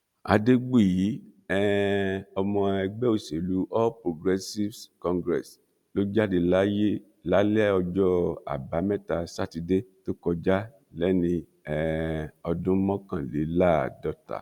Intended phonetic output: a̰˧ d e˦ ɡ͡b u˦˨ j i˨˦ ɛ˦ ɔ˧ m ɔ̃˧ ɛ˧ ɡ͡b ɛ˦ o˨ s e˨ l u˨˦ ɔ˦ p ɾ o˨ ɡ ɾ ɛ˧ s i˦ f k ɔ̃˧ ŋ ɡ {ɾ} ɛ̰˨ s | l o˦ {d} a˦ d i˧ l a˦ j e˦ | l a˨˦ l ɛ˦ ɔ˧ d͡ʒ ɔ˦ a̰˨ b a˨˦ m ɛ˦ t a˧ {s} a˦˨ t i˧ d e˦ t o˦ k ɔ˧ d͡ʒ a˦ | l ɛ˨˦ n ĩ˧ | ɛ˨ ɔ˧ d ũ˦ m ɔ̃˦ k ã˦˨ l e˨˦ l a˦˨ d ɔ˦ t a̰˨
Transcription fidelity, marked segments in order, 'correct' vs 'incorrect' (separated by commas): correct, incorrect, correct